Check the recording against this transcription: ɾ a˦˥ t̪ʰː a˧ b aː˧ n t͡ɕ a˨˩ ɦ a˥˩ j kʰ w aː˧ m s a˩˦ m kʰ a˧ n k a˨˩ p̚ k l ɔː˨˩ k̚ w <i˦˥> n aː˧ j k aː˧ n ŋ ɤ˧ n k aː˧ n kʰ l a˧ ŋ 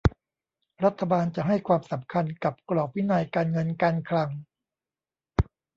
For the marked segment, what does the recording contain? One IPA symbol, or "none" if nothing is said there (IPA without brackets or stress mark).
i˦˥